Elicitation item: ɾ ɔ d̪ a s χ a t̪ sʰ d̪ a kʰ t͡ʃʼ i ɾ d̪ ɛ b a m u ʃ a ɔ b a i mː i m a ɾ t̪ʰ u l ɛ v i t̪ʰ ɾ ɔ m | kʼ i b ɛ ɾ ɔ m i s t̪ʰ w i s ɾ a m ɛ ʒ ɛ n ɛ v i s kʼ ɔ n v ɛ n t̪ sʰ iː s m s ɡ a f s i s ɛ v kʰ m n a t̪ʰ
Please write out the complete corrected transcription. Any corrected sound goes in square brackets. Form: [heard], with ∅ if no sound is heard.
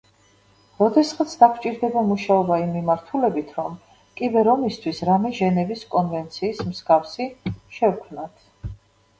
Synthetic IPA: ɾ ɔ d̪ [ɛ] s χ a t̪ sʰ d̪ a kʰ t͡ʃʼ i ɾ d̪ ɛ b a m u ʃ a ɔ b a i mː i m a ɾ t̪ʰ u l ɛ [b] i t̪ʰ ɾ ɔ m | kʼ i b ɛ ɾ ɔ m i s t̪ʰ w i s ɾ a m ɛ ʒ ɛ n ɛ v i s kʼ ɔ n v ɛ n t̪ sʰ iː s m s ɡ a f s i [ʃ] ɛ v kʰ m n a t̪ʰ

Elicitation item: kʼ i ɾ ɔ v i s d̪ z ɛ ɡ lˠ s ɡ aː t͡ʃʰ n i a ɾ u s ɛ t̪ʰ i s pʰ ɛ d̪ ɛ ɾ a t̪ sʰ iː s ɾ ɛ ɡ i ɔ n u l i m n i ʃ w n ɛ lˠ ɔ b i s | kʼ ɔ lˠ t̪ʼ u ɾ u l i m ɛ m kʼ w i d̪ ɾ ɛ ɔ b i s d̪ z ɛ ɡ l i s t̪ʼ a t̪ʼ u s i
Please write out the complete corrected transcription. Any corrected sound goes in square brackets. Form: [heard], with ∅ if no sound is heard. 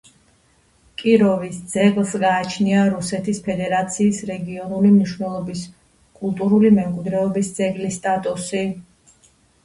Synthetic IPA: kʼ i ɾ ɔ v i s d̪ z ɛ ɡ lˠ s ɡ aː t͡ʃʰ n i a ɾ u s ɛ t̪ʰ i s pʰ ɛ d̪ ɛ ɾ a t̪ sʰ iː s ɾ ɛ ɡ i ɔ n u l i m n i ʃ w n ɛ lˠ ɔ b i s | kʼ [u] lˠ t̪ʼ u ɾ u l i m ɛ m kʼ w i d̪ ɾ ɛ ɔ b i s d̪ z ɛ ɡ l i s t̪ʼ a t̪ʼ u s i

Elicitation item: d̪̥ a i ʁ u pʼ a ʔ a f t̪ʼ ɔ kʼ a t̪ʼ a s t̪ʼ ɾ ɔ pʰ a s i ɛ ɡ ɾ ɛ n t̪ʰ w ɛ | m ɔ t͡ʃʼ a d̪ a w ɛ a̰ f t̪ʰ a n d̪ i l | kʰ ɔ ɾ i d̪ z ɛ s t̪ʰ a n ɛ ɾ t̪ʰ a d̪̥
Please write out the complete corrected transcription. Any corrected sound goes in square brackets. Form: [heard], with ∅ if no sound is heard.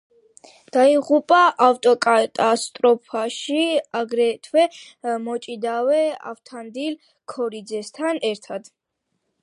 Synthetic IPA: d̪̥ a i ʁ u pʼ a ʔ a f t̪ʼ ɔ kʼ a t̪ʼ a s t̪ʼ ɾ ɔ pʰ a [ʃ] i [a] ɡ ɾ ɛ [∅] t̪ʰ w ɛ | m ɔ t͡ʃʼ [i] d̪ a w ɛ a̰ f t̪ʰ a n d̪ i l | kʰ ɔ ɾ i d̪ z ɛ s t̪ʰ a n ɛ ɾ t̪ʰ a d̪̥

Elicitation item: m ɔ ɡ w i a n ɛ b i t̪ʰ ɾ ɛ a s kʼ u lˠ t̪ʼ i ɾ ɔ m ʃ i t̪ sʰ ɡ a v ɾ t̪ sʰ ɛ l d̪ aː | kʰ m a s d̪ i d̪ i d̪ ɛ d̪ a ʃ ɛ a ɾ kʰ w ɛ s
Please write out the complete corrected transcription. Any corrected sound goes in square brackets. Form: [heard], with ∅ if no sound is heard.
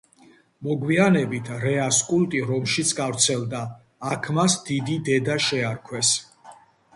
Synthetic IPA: m ɔ ɡ w i a n ɛ b i t̪ʰ ɾ ɛ a s kʼ u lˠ t̪ʼ i ɾ ɔ m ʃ i t̪ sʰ ɡ a v ɾ t̪ sʰ ɛ l d̪ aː | kʰ m a s d̪ i d̪ i d̪ ɛ d̪ a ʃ ɛ a ɾ kʰ w ɛ s

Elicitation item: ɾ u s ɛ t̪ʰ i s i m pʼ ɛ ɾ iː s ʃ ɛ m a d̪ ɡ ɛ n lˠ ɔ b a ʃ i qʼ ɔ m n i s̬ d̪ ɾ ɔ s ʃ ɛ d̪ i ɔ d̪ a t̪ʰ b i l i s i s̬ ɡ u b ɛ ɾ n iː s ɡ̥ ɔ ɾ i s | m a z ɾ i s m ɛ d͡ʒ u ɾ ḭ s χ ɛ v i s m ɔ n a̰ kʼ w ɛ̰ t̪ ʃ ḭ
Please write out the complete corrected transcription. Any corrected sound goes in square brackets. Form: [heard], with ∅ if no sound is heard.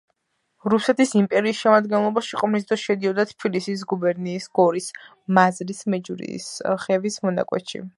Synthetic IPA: ɾ u s ɛ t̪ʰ i s i m pʼ ɛ ɾ iː s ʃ ɛ m a d̪ ɡ ɛ n lˠ ɔ b a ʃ i qʼ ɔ m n i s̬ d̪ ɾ ɔ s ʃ ɛ d̪ i ɔ d̪ a t̪ʰ b i l i s i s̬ ɡ u b ɛ ɾ n iː s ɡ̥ ɔ ɾ i s | m a z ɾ i s m ɛ d͡ʒ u ɾ ḭ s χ ɛ v i s m ɔ n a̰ kʼ w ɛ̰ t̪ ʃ ḭ

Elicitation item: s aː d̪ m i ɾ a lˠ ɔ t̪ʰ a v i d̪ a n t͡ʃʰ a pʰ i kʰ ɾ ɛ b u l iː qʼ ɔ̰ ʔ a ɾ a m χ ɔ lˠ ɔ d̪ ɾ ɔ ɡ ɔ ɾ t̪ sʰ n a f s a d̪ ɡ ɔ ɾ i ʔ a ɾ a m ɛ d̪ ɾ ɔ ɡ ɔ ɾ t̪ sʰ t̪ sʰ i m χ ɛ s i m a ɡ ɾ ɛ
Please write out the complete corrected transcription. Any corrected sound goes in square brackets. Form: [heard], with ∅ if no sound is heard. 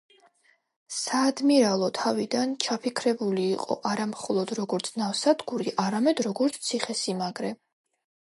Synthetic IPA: s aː d̪ m i ɾ a lˠ ɔ t̪ʰ a v i d̪ a n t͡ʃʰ a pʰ i kʰ ɾ ɛ b u l iː qʼ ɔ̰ ʔ a ɾ a m χ ɔ lˠ ɔ d̪ ɾ ɔ ɡ ɔ ɾ t̪ sʰ n a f s a d̪ ɡ [u] ɾ i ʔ a ɾ a m ɛ d̪ ɾ ɔ ɡ ɔ ɾ t̪ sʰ t̪ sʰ i [∅] χ ɛ s i m a ɡ ɾ ɛ

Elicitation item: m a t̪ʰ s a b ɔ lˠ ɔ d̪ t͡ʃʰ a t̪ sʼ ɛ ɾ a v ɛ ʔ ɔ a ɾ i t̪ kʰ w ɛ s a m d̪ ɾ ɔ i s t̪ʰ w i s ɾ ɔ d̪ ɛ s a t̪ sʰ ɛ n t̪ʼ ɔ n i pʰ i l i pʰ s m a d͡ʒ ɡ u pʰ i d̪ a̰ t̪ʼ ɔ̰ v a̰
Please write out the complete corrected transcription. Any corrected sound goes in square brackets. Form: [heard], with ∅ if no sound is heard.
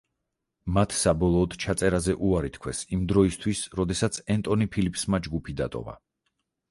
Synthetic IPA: m a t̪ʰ s a b ɔ lˠ [ɔː] d̪ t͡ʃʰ a t̪ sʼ ɛ ɾ a [z] ɛ ʔ [u] a ɾ i t̪ kʰ w ɛ s [i] m d̪ ɾ ɔ i s t̪ʰ w i s ɾ ɔ d̪ ɛ s a t̪ sʰ ɛ n t̪ʼ ɔ n i pʰ i l i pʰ s m a d͡ʒ ɡ u pʰ i d̪ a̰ t̪ʼ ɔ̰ v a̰

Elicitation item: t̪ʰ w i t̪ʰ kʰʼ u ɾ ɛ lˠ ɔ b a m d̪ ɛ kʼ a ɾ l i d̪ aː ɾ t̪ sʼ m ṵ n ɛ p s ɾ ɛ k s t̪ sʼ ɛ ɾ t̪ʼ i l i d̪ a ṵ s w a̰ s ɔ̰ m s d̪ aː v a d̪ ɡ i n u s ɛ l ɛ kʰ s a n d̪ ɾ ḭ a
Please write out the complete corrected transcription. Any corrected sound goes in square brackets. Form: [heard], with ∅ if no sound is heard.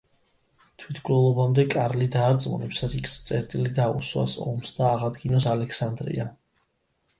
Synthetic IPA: t̪ʰ w i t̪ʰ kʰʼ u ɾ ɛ lˠ ɔ b a m d̪ ɛ kʼ a ɾ l i d̪ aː ɾ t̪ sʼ m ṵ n ɛ p s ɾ [i] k s t̪ sʼ ɛ ɾ t̪ʼ i l i d̪ a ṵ s w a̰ s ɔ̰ m s d̪ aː [ʁ] a d̪ ɡ i n [ɔ] s [a] l ɛ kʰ s a n d̪ ɾ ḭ a

